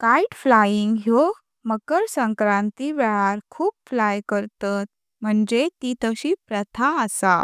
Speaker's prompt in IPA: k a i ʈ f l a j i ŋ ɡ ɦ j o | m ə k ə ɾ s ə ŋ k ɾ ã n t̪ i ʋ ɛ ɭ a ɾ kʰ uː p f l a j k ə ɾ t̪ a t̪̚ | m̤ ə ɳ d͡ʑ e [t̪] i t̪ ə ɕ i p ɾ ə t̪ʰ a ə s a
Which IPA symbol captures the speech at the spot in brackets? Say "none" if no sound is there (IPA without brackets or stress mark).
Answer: t̪